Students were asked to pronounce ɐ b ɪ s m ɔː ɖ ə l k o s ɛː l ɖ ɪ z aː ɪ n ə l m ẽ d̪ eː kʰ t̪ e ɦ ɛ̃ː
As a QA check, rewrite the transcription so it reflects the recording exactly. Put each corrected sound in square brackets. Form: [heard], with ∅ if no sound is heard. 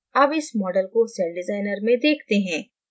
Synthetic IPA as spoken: ɐ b ɪ s m ɔː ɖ ə l k o s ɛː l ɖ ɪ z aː ɪ n ə [ɾ] m ẽ d̪ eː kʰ t̪ e ɦ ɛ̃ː